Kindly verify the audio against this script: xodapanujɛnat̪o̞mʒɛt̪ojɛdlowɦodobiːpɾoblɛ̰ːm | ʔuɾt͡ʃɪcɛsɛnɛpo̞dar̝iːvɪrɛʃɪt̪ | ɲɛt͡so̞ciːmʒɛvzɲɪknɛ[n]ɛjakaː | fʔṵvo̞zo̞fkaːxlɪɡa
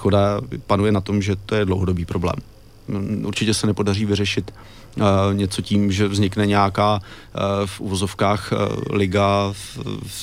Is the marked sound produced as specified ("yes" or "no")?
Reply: no